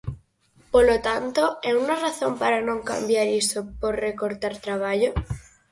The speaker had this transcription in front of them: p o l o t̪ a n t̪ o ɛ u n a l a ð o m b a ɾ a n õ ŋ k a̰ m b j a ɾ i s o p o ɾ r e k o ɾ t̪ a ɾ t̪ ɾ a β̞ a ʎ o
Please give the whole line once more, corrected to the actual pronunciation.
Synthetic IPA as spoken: p o l o t̪ a n t̪ o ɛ u n a r a θ o m p a ɾ a n õ ŋ k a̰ m b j a ɾ i s o p o ɾ r e k o ɾ t̪ a ɾ t̪ ɾ a β̞ a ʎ o